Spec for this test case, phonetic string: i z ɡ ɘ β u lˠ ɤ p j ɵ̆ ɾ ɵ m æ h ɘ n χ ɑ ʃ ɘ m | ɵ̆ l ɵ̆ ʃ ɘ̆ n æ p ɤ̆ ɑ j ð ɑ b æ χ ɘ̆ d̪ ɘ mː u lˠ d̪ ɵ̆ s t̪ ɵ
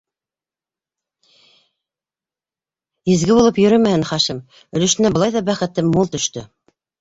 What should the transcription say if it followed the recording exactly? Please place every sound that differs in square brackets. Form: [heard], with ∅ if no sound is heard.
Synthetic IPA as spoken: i z ɡ ɘ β u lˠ ɤ p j ɵ̆ ɾ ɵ m æ h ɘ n χ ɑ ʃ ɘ m | ɵ̆ l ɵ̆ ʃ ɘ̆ n æ [b] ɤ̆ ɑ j ð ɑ b æ χ ɘ̆ [t̪] ɘ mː u lˠ [t̪] ɵ̆ [ʃ] t̪ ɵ

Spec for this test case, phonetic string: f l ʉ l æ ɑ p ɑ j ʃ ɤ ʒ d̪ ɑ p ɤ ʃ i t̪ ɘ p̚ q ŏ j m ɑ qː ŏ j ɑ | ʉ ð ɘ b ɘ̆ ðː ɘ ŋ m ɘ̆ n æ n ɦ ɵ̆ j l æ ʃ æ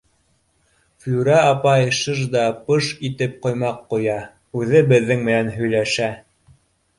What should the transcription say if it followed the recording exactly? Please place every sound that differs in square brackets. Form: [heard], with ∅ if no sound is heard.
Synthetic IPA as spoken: f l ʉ [ɾ] æ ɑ p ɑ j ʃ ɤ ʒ d̪ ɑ p ɤ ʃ i t̪ ɘ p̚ q ŏ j m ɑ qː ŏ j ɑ | ʉ ð ɘ b ɘ̆ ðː ɘ ŋ m ɘ̆ n æ n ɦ ɵ̆ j l æ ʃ æ

